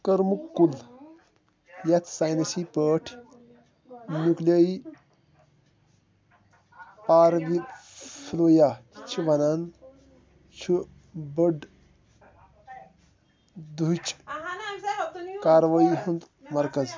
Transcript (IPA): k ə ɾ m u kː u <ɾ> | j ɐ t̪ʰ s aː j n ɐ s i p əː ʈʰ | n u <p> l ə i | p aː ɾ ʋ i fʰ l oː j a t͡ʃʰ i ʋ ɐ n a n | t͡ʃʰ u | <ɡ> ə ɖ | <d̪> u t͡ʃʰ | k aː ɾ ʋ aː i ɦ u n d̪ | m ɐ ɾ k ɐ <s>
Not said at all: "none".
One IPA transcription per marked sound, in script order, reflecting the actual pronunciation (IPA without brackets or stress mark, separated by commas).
l, k, b, d̪, z